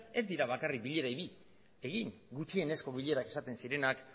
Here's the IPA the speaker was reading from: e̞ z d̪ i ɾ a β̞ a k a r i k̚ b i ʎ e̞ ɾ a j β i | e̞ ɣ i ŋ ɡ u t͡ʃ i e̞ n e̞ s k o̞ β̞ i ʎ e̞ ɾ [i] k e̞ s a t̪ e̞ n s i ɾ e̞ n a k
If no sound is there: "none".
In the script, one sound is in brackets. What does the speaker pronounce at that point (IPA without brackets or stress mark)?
a